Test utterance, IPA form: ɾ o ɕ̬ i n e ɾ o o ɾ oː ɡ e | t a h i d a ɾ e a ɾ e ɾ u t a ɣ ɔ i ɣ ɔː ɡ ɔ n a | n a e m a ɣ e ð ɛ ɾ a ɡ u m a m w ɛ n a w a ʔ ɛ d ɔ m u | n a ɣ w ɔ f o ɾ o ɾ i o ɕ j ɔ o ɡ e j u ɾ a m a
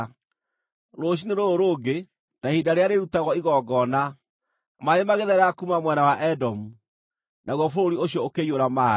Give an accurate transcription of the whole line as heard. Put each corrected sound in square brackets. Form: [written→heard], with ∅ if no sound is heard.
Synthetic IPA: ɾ o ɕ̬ i n e ɾ o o ɾ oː ɡ e | t a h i d a ɾ e a ɾ e ɾ u t a ɣ ɔ i ɣ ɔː ɡ ɔ n a | [n→m] a e m a ɣ e ð ɛ ɾ a [ɡ→k] u m a m w ɛ n a w a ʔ ɛ d ɔ m u | n a ɣ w ɔ f o ɾ o ɾ i o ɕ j ɔ o [ɡ→k] e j [u→o] ɾ a m a